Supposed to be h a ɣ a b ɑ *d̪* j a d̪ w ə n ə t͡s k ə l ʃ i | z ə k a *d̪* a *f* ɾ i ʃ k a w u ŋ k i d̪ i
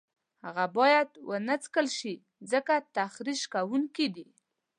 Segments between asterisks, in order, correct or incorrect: incorrect, incorrect, incorrect

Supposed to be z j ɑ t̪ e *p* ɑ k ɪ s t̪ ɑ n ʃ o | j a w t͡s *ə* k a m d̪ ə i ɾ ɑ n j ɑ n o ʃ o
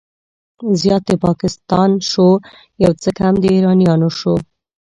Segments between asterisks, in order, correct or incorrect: correct, correct

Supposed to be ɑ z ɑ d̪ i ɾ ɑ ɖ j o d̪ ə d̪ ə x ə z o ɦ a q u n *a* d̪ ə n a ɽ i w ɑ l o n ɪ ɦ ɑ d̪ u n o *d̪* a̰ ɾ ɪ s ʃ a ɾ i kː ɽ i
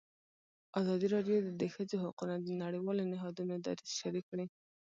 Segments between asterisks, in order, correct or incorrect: correct, correct

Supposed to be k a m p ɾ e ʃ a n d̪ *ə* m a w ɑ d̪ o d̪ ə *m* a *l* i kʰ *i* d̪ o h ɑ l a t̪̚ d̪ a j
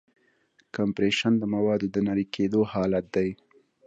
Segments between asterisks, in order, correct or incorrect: correct, incorrect, incorrect, incorrect

